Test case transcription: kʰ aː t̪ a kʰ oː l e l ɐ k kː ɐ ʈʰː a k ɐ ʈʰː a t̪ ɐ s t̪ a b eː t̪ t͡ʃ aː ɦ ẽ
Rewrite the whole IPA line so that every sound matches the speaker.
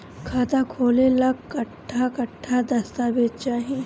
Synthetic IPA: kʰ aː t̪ a kʰ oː l e l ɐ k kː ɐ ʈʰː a k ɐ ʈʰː a d̪ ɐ s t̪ a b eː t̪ t͡ʃ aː ɦ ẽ